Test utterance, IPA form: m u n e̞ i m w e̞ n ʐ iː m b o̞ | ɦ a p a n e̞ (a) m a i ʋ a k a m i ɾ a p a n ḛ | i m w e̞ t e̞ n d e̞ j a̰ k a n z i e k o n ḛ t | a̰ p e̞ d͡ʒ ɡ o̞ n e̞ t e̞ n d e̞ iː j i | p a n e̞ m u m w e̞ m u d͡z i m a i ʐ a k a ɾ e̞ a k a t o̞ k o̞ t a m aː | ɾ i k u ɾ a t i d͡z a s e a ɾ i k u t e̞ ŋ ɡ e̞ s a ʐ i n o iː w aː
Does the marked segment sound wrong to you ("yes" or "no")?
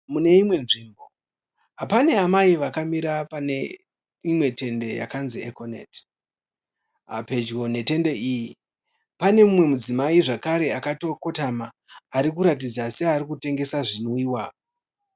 no